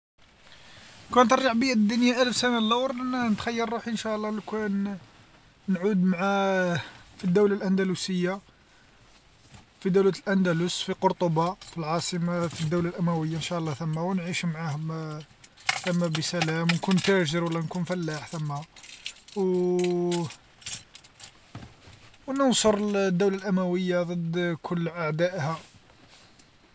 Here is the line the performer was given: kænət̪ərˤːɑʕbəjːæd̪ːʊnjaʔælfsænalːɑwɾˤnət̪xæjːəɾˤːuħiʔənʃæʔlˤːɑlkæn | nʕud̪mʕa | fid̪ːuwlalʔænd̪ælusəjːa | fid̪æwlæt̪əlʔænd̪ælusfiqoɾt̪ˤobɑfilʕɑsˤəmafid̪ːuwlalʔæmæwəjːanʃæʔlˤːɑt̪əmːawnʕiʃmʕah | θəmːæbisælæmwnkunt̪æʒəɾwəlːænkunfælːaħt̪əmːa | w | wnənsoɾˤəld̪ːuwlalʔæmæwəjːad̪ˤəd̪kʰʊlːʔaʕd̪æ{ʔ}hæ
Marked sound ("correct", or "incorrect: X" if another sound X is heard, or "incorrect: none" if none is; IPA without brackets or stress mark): correct